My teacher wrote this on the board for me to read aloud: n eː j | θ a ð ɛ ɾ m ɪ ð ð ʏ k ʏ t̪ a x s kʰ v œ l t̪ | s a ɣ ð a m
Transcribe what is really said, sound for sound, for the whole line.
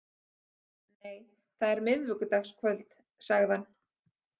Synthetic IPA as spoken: n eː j | θ a ð ɛ ɾ m ɪ ð v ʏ k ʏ t̪ a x s kʰ v œ l t̪ | s a ɣ ð a n